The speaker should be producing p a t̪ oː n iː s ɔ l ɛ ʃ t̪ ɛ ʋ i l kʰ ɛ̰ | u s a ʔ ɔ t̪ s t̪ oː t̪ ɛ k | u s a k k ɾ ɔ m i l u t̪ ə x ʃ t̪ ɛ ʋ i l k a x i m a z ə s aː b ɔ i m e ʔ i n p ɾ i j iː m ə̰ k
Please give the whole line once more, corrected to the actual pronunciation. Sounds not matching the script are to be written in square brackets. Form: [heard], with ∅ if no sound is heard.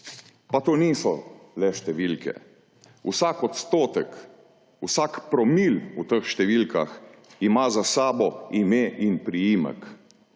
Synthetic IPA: p a t̪ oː n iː s ɔ l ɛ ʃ t̪ ɛ ʋ i l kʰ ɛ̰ | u s a [k] ɔ t̪ s t̪ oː t̪ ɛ k | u s a k [p] ɾ ɔ m i l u t̪ ə x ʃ t̪ ɛ ʋ i l k a x i m a z [a] s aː b ɔ i m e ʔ i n p ɾ i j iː m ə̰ k